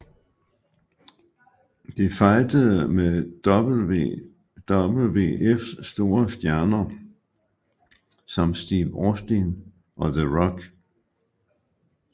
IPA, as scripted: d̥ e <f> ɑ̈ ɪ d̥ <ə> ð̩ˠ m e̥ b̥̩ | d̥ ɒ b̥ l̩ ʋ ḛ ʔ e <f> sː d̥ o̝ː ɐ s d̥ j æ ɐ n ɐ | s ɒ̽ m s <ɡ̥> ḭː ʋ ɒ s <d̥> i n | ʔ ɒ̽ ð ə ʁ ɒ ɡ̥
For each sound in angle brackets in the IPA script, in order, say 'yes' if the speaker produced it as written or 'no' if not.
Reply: yes, yes, yes, no, yes

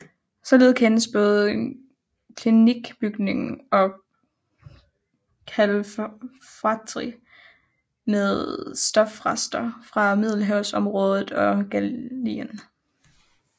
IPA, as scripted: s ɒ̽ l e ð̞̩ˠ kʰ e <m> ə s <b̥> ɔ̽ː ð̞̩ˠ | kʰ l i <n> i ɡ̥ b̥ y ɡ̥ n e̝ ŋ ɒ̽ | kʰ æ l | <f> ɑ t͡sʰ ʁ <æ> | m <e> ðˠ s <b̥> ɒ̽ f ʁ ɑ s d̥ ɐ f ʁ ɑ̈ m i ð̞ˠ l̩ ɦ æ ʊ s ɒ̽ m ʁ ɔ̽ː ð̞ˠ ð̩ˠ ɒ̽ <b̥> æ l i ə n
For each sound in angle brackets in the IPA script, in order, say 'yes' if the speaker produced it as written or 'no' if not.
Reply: no, yes, yes, yes, no, yes, no, no

